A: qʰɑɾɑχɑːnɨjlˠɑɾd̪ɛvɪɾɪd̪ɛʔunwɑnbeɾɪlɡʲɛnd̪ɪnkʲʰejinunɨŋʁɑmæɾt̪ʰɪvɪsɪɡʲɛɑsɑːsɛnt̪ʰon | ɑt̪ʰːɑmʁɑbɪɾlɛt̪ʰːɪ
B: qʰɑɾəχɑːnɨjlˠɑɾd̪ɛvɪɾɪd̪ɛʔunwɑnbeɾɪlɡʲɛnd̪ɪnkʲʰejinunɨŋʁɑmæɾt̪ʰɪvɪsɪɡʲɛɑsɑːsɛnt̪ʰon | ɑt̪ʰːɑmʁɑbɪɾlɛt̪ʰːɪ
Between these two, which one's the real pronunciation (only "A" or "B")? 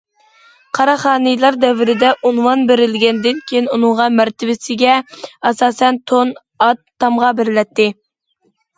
A